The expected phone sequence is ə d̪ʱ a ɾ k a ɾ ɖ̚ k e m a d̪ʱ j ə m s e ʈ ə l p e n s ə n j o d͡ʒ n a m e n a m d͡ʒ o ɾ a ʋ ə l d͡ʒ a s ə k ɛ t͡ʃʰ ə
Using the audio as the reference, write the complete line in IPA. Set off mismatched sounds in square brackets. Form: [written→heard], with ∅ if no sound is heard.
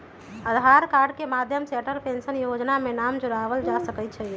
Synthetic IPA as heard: ə d̪ʱ a ɾ k a ɾ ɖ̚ k e m a d̪ʱ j ə m s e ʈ ə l p e n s ə n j o d͡ʒ n a m e n a m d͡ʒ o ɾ a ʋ ə l d͡ʒ a s ə k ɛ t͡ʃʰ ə